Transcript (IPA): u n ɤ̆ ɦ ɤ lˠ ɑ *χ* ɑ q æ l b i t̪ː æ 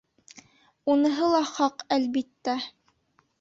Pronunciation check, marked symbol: correct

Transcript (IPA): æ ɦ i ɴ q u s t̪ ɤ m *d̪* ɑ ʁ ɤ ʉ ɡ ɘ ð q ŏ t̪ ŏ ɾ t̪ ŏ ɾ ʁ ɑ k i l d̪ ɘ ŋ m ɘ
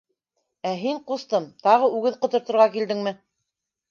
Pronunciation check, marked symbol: incorrect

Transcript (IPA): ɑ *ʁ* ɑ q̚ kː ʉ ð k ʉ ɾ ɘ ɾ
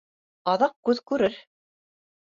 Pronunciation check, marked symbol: incorrect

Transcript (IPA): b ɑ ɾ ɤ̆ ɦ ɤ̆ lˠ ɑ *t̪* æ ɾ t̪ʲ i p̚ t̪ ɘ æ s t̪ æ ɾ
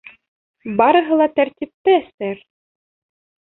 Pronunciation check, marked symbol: correct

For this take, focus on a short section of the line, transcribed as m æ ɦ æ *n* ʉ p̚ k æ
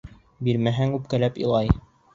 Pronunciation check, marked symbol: incorrect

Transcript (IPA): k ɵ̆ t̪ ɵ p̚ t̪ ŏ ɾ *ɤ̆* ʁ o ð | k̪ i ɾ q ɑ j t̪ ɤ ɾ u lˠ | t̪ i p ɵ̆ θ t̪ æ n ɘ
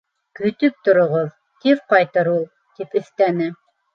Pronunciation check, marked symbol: incorrect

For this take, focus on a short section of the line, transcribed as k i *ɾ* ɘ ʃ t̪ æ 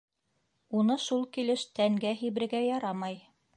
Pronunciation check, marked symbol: incorrect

